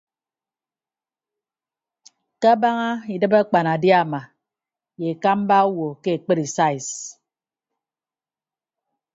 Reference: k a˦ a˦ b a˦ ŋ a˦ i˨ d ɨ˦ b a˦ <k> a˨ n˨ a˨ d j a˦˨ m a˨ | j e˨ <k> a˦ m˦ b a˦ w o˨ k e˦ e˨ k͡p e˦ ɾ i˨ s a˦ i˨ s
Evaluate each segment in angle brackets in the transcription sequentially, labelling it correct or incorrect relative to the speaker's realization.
incorrect, correct

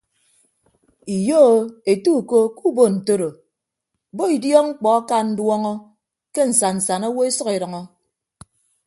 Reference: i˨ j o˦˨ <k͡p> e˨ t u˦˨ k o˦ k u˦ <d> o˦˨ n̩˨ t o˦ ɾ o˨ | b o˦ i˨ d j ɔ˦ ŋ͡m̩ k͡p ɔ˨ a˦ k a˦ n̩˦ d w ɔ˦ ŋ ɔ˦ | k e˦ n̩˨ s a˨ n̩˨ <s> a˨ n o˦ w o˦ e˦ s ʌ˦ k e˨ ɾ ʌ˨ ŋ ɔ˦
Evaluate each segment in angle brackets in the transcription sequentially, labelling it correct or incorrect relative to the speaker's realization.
incorrect, incorrect, correct

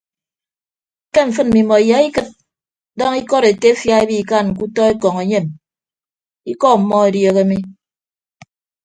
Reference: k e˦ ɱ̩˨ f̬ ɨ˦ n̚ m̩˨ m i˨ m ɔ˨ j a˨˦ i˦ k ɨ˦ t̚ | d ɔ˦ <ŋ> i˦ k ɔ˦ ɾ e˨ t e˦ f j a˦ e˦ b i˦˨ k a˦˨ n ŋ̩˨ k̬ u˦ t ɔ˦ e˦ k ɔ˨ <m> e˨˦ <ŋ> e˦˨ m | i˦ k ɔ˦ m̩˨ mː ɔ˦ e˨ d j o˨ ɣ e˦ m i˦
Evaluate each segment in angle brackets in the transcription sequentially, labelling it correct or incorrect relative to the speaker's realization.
correct, incorrect, incorrect

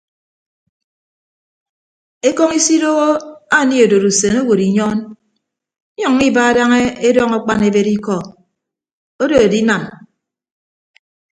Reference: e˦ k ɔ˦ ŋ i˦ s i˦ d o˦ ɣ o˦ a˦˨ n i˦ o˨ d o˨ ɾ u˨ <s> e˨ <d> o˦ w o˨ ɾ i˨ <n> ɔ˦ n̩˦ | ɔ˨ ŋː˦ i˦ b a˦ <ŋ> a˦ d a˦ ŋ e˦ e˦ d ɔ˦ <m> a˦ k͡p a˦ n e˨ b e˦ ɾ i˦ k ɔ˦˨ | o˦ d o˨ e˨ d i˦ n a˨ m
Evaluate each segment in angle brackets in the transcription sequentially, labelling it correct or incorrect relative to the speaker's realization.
correct, incorrect, incorrect, incorrect, incorrect

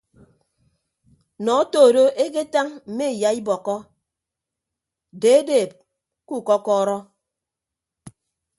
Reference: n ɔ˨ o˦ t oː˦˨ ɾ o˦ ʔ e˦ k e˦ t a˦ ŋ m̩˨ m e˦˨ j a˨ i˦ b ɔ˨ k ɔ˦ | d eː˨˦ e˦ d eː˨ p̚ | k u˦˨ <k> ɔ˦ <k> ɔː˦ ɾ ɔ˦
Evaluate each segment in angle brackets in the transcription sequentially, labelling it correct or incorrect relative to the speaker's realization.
correct, correct

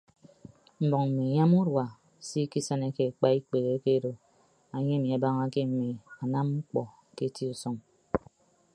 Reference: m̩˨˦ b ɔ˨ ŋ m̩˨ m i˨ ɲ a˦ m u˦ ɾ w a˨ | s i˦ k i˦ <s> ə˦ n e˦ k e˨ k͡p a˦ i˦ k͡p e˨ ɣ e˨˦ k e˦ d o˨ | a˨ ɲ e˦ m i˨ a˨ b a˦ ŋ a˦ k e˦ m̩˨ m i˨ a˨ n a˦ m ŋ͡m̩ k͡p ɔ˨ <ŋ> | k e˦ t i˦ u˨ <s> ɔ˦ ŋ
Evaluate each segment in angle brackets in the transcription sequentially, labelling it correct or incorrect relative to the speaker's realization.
correct, incorrect, correct

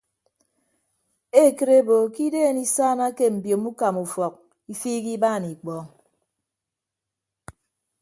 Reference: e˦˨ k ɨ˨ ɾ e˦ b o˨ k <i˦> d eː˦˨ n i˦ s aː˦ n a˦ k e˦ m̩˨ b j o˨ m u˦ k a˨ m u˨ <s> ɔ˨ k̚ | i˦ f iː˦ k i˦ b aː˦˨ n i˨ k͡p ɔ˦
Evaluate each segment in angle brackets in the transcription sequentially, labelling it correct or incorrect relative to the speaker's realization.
correct, incorrect

